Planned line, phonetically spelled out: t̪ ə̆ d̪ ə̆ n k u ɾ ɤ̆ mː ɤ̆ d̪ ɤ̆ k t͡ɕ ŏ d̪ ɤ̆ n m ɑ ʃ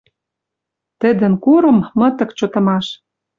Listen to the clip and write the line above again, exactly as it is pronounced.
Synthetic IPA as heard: t̪ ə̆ d̪ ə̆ n k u ɾ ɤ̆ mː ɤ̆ t̪ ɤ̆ k t͡ɕ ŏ t̪ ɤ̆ m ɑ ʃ